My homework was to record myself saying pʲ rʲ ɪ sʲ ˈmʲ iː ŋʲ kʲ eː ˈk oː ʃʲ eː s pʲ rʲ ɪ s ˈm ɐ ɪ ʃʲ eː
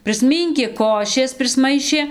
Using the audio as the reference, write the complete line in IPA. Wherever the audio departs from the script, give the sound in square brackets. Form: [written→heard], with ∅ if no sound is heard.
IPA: pʲ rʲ ɪ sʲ ˈmʲ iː ŋʲ kʲ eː ˈk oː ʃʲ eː s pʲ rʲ ɪ s ˈm ɐ ɪ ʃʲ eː